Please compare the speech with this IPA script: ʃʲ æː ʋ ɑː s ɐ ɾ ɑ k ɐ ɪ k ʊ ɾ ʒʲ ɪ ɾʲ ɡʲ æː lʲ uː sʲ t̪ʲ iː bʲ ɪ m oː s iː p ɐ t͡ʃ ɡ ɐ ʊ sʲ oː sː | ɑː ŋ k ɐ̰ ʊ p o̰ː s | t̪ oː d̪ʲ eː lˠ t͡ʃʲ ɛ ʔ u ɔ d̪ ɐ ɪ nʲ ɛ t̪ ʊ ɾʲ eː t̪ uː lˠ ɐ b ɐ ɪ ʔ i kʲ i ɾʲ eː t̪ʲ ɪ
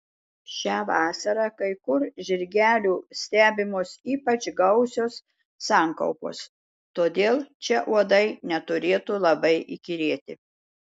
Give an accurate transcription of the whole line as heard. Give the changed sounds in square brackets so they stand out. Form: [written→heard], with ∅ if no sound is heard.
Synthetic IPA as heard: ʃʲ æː ʋ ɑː s ɐ ɾ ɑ k ɐ ɪ k ʊ ɾ ʒʲ ɪ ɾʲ ɡʲ æː lʲ uː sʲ t̪ʲ [iː→æː] bʲ ɪ m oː s iː p ɐ t͡ʃ ɡ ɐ ʊ sʲ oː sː | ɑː ŋ k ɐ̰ ʊ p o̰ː s | t̪ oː d̪ʲ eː lˠ t͡ʃʲ ɛ ʔ u ɔ d̪ ɐ ɪ nʲ ɛ t̪ ʊ ɾʲ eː t̪ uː lˠ ɐ b ɐ ɪ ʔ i kʲ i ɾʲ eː t̪ʲ ɪ